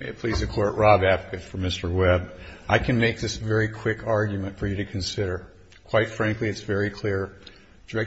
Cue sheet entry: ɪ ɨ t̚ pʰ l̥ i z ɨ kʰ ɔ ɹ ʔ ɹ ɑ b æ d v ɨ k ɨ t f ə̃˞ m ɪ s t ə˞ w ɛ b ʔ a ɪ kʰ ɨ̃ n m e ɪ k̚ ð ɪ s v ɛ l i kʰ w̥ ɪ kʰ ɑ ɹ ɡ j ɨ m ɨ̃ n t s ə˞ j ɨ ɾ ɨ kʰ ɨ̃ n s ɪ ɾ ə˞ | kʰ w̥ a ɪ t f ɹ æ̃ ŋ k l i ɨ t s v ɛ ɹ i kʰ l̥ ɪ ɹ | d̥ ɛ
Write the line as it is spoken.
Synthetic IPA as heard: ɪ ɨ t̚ pʰ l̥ i z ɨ kʰ ɔ ɹ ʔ ɹ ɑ b æ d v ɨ k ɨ t f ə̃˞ m ɪ s t ə˞ w ɛ b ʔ a ɪ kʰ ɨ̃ n m e ɪ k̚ ð ɪ s v ɛ ɹ i kʰ w̥ ɪ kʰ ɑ ɹ ɡ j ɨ m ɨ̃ n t f ə˞ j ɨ ɾ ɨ kʰ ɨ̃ n s ɪ ɾ ə˞ | kʰ w̥ a ɪ t f ɹ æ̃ ŋ k l i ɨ t s v ɛ ɹ i kʰ l̥ ɪ ɹ | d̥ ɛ